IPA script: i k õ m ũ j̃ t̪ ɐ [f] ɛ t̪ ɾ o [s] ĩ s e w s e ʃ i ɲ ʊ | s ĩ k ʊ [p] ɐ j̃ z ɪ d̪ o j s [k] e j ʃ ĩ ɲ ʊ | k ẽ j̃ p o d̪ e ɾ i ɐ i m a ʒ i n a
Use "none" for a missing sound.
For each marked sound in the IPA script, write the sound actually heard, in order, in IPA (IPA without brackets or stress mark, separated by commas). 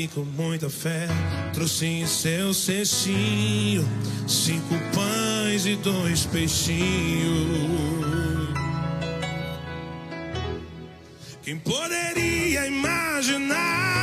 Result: f, s, p, p